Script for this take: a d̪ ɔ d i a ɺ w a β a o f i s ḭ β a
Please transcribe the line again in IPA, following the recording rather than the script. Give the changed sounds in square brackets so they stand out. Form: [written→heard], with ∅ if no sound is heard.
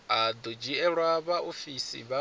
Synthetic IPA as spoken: a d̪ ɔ [d→d͡ʒ] i [a→ɛ] ɺ w a β a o f i s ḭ β a